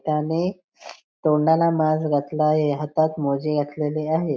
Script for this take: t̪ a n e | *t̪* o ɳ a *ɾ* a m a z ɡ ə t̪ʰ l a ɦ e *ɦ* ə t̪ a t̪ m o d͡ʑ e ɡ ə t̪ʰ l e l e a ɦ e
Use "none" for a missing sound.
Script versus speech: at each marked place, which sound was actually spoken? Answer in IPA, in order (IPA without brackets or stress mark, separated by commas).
t̪, l, ɦ